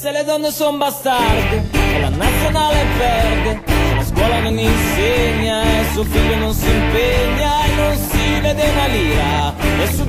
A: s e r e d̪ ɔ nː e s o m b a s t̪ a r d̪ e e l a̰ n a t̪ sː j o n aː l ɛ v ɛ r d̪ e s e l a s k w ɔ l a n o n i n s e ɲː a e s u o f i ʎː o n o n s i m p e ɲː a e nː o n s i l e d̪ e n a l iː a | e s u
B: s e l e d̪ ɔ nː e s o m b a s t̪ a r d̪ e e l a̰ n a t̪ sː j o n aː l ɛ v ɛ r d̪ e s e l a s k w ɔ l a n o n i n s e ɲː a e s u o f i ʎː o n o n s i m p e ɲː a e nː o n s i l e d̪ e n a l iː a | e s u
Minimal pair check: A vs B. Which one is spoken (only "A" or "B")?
B